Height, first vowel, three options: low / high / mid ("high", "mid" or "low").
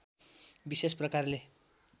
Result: high